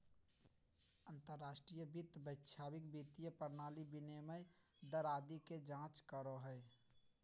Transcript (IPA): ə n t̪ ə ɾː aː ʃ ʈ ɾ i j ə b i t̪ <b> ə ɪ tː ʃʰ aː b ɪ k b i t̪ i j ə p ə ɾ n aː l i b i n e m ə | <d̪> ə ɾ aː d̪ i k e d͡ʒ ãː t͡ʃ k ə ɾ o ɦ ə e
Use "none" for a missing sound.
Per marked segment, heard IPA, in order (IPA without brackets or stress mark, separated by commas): b, d̪